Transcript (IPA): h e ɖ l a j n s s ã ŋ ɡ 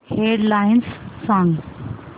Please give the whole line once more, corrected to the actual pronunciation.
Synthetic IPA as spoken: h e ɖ l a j n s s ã ŋ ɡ